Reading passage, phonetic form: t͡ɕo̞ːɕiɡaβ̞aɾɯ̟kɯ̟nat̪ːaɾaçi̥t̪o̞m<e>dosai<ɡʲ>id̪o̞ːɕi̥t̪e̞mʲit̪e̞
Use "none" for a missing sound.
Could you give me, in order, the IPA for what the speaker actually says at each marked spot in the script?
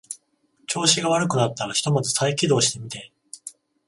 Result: a, kʲ

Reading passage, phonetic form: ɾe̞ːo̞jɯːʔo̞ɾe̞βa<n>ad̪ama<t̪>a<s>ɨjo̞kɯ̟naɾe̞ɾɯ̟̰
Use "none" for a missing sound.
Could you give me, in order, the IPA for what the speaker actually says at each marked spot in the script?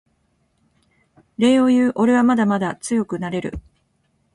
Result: m, d̪, t͡s

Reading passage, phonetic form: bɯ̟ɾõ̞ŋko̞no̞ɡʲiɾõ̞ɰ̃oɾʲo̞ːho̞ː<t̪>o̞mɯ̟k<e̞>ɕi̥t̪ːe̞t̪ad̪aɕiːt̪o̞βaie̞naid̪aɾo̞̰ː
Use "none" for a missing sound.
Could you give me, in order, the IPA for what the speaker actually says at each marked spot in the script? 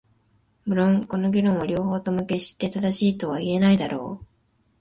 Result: t̪, e̞

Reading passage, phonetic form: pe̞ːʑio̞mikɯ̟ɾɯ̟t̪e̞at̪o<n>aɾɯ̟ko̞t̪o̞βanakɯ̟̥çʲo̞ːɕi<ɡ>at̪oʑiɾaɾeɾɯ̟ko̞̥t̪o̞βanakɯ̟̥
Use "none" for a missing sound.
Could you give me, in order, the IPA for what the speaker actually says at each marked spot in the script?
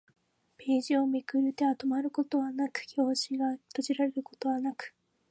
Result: m, ɡ

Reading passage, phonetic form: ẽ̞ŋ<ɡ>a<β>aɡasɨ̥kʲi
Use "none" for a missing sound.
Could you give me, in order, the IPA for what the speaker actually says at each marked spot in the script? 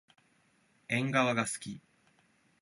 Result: ɡ, β

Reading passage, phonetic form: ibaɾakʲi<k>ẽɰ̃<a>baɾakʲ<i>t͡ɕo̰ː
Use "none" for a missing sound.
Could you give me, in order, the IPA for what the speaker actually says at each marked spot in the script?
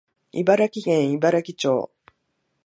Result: ɡ, i, i

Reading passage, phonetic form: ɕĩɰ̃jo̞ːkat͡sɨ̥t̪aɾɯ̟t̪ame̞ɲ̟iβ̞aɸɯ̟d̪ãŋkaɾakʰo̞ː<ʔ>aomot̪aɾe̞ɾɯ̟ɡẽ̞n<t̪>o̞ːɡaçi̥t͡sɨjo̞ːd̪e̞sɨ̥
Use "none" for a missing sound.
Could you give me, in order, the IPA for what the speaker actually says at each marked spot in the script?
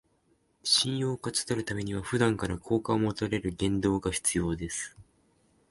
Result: k, d̪

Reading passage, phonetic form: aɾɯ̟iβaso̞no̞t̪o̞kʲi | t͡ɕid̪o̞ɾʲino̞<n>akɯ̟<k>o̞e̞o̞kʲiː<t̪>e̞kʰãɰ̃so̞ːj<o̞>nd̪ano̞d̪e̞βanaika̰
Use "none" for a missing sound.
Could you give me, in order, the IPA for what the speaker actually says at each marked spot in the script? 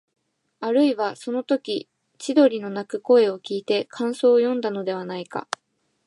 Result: n, k, t̪, õ̞

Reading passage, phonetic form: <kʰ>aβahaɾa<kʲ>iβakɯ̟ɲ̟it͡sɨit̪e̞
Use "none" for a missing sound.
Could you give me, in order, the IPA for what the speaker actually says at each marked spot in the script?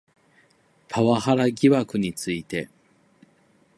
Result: pʰ, ɡʲ

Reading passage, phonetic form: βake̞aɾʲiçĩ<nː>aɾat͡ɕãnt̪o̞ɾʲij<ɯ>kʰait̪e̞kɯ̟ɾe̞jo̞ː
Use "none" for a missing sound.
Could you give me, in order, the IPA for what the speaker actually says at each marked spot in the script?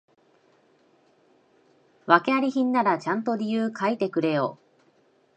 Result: nː, ɯː

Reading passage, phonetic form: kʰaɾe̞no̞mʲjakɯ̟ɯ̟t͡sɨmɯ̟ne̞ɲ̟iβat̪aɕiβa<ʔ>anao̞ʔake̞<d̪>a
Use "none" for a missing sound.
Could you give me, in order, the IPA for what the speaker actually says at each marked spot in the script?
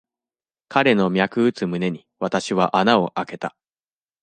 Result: ʔ, t̪

